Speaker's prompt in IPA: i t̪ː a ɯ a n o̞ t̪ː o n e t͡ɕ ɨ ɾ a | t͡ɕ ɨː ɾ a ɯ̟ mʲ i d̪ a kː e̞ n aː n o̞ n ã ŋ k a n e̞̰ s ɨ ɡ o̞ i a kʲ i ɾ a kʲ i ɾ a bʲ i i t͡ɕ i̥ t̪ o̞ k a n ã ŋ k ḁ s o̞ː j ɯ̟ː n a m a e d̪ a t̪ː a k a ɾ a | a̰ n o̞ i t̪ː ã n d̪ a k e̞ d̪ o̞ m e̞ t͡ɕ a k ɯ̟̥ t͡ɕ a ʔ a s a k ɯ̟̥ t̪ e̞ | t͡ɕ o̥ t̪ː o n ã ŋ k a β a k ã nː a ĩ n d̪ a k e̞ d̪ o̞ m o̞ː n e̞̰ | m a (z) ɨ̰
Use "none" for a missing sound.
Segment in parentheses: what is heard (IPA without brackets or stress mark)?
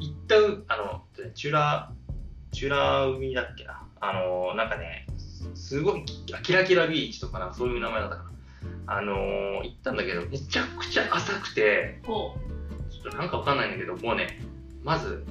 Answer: z